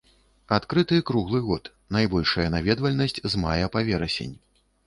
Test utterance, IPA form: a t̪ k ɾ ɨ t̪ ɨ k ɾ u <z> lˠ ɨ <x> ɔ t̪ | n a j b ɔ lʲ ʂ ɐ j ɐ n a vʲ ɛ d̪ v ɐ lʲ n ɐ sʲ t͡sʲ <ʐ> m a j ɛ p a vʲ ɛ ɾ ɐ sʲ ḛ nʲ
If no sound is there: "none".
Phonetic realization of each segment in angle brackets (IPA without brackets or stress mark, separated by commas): ɣ, ɣ, z